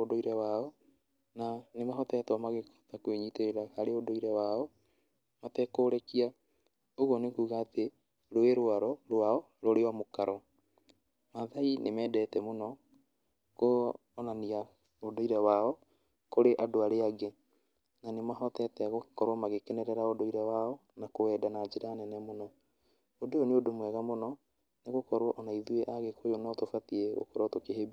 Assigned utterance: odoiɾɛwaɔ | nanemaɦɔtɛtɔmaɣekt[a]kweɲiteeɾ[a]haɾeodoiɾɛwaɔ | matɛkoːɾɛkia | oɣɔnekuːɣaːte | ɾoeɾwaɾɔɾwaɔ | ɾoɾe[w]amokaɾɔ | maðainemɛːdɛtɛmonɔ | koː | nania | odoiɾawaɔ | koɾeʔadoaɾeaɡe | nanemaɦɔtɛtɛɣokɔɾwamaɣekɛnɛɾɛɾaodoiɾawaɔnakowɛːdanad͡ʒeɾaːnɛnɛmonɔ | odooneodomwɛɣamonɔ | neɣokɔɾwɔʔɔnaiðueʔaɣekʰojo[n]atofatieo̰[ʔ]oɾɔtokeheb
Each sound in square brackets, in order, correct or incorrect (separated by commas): correct, correct, correct, correct, incorrect